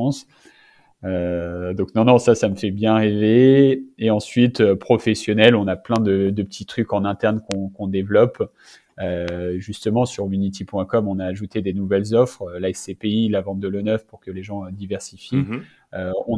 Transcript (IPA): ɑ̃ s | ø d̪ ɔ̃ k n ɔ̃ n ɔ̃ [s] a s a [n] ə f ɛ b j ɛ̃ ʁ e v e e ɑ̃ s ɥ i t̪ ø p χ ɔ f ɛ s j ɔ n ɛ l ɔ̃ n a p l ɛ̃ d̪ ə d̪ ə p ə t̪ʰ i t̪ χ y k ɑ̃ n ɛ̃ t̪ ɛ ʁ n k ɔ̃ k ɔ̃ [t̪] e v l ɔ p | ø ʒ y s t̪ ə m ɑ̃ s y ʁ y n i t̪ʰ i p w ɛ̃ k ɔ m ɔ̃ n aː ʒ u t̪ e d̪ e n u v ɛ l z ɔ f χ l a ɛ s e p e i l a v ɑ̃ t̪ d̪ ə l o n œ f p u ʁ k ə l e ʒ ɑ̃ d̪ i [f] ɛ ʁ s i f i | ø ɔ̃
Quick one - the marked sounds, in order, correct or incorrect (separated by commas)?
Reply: correct, incorrect, incorrect, incorrect